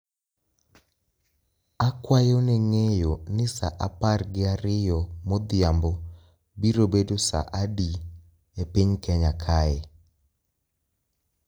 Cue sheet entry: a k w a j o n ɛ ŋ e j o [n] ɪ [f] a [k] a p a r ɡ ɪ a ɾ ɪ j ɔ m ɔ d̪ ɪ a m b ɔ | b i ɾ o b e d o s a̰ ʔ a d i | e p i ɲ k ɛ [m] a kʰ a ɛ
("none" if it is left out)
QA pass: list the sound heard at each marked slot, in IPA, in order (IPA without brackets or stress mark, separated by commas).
n, s, ʔ, ɲ